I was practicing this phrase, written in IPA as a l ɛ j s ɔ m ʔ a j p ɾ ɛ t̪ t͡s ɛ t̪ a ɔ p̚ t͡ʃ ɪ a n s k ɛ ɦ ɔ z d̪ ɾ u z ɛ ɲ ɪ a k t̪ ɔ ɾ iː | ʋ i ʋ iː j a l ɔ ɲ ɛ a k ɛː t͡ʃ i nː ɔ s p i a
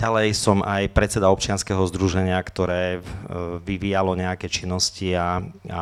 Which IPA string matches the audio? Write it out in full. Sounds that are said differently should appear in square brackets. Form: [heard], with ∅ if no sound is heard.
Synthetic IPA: a l ɛ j s ɔ m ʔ a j p ɾ ɛ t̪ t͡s ɛ [d̪] a ɔ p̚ t͡ʃ ɪ a n s k ɛ ɦ ɔ z d̪ ɾ u [ʒ] ɛ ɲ ɪ a k t̪ ɔ ɾ [ɛː] | ʋ i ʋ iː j a l ɔ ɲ ɛ a k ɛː t͡ʃ i nː ɔ s [c] i a